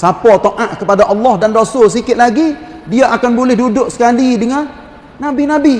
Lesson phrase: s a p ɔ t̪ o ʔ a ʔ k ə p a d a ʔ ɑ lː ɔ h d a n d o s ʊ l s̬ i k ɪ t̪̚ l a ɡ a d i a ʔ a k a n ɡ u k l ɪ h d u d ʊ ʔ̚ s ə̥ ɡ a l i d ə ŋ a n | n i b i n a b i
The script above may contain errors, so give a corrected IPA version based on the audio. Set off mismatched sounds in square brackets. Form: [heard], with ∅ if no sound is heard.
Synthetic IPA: s a p ɔ t̪ o ʔ a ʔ k ə p a d a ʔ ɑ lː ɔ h d a n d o s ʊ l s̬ i k ɪ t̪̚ l a ɡ [i] d i a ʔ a k a n [b] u [∅] l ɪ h d u d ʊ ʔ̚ s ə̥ [k] a l i d ə ŋ a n | n [a] b i n a b i